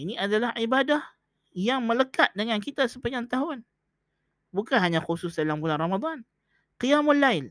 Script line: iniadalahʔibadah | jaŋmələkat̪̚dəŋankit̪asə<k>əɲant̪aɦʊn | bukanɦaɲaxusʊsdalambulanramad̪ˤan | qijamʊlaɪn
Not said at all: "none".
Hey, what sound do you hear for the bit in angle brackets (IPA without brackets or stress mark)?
p